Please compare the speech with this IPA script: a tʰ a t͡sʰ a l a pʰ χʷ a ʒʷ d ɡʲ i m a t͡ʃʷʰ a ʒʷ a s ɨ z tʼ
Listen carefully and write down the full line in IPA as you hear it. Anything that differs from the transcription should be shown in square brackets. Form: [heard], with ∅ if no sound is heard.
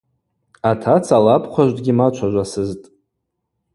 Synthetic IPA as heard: a tʰ a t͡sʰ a l a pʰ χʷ a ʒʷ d ɡʲ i m a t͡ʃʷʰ a ʒʷ a s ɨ z tʼ